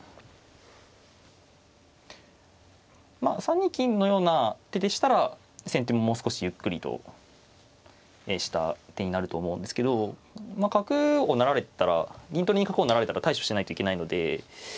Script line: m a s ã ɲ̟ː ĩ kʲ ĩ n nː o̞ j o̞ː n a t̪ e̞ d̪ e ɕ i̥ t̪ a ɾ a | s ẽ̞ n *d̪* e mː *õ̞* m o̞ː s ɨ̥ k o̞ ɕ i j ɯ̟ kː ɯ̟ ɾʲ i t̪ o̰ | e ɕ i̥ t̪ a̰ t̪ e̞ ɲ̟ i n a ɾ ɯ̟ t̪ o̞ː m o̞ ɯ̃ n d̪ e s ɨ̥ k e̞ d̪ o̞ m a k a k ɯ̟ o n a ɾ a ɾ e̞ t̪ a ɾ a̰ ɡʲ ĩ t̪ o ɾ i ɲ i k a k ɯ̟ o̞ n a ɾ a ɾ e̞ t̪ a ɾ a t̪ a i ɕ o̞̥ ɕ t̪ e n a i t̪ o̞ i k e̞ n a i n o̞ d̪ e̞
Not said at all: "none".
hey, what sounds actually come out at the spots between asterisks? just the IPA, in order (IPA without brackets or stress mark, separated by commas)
t̪, o̞